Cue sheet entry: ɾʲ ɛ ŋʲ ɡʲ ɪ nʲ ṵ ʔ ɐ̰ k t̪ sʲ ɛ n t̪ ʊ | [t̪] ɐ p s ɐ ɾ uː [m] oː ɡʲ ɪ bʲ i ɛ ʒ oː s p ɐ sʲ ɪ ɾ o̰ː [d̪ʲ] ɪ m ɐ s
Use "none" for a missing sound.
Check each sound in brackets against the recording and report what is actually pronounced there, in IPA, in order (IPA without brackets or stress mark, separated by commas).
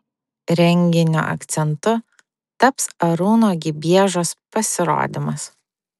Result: t̪, n, d̪ʲ